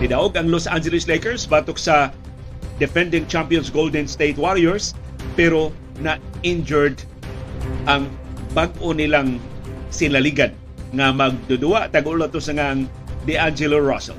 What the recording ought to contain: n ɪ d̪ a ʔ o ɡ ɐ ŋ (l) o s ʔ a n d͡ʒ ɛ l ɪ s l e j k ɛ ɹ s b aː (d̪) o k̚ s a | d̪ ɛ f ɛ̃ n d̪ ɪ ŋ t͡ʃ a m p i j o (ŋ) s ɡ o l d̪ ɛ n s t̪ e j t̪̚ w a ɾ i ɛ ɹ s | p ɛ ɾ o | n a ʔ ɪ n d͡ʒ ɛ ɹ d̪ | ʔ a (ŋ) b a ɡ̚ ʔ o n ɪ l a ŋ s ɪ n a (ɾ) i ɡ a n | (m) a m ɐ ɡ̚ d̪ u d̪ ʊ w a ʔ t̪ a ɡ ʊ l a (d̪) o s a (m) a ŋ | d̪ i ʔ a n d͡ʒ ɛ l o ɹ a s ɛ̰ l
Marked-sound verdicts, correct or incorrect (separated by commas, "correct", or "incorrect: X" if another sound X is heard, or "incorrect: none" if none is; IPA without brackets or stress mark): correct, incorrect: t̪, incorrect: n, correct, incorrect: l, incorrect: ŋ, incorrect: t̪, incorrect: ŋ